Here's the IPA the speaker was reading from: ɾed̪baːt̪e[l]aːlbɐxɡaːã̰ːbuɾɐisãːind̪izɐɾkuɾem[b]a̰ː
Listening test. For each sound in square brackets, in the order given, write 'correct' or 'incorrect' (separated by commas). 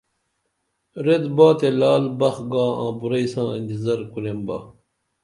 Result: correct, correct